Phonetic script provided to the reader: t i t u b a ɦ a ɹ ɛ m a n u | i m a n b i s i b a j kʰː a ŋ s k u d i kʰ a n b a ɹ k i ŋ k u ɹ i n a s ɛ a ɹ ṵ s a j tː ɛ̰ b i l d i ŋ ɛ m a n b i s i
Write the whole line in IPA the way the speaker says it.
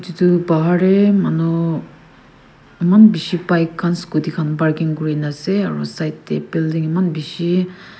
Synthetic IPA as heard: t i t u b a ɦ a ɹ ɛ m a n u | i m a n b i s i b a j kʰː a n s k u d i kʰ a n b a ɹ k i ŋ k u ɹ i n a s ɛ a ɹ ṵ s a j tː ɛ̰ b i l d i ŋ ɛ m a n b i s i